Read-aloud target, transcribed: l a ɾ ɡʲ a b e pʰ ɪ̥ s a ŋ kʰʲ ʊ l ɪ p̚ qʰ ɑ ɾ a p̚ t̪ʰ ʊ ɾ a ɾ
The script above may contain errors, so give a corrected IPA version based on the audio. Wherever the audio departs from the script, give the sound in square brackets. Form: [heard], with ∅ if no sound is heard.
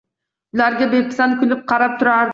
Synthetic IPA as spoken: l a ɾ ɡʲ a b e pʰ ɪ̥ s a [n] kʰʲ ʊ l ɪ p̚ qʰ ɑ ɾ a p̚ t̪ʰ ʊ ɾ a ɾ